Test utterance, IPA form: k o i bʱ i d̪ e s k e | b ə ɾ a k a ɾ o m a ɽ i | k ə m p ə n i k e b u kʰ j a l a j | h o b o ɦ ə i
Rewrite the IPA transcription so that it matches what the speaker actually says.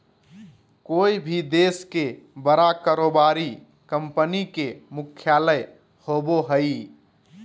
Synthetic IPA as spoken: k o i bʱ i d̪ e s k e | b ə ɾ a k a ɾ o b a ɾ i | k ə m p ə n i k e m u kʰ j a l ə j | h o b o ɦ ə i